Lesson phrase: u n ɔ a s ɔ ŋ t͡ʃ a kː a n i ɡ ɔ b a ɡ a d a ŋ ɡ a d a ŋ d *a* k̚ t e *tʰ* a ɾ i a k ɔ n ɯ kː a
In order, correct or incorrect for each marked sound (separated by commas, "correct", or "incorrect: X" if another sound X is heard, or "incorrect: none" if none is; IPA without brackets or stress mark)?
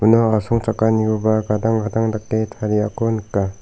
correct, correct